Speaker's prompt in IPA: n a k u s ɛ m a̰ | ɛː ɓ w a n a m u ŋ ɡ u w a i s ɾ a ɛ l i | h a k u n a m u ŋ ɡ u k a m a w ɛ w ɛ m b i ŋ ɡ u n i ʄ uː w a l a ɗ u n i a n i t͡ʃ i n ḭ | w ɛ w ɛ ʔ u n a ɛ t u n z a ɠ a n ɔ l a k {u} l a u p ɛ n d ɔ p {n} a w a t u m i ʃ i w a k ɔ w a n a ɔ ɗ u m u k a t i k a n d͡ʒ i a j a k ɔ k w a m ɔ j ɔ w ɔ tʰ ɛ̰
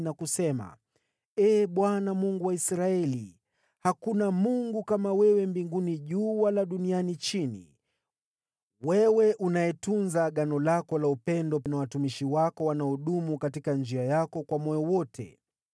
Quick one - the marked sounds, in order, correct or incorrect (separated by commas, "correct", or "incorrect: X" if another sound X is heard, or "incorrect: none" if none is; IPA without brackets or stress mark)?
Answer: incorrect: ɔ, correct